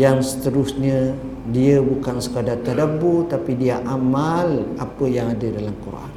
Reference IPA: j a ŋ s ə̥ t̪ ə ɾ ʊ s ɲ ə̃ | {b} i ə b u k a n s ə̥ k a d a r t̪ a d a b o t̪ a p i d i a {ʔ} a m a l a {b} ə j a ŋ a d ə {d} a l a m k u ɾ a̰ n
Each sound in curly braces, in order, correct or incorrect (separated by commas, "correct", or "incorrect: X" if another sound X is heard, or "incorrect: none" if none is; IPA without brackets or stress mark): incorrect: d, correct, incorrect: p, correct